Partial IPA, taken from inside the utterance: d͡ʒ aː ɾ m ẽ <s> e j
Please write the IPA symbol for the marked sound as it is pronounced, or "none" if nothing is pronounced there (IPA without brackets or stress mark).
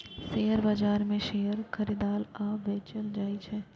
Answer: ʃ